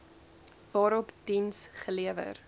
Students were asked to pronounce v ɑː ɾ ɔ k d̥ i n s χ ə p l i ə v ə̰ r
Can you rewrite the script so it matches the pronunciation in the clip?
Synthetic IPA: v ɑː ɾ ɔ p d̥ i n s χ ə l i ə v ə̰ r